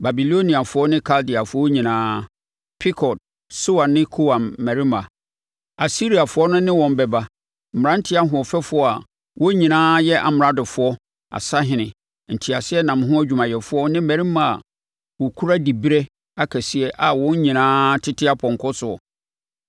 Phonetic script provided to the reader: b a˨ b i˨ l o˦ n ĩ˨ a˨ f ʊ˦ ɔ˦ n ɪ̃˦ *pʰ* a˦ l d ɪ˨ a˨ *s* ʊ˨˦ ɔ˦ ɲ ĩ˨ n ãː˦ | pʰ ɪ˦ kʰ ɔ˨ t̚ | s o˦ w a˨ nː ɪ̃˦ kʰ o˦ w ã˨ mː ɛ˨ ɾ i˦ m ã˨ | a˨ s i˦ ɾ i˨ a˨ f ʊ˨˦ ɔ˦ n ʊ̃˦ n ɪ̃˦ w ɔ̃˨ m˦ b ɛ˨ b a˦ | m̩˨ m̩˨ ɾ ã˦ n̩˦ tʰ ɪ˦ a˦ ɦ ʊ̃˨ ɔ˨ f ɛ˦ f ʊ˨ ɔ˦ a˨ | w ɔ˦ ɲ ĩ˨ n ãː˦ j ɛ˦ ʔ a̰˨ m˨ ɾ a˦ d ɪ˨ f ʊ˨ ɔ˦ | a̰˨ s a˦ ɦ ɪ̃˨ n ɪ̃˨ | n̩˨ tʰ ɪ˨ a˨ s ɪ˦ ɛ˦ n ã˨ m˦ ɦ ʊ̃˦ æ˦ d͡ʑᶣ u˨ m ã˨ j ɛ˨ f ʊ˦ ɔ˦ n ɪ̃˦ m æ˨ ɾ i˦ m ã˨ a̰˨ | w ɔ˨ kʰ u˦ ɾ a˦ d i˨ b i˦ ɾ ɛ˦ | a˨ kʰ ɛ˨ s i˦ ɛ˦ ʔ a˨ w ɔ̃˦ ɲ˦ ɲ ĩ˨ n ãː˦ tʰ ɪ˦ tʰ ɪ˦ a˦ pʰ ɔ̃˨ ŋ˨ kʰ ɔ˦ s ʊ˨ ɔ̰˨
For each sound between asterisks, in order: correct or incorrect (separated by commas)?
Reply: incorrect, incorrect